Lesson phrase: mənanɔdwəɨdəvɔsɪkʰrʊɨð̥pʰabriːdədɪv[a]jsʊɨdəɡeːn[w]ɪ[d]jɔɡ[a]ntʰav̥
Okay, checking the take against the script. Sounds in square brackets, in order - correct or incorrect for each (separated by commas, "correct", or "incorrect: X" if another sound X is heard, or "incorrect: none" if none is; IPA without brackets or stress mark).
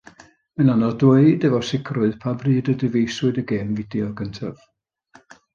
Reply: incorrect: e, incorrect: v, correct, incorrect: ə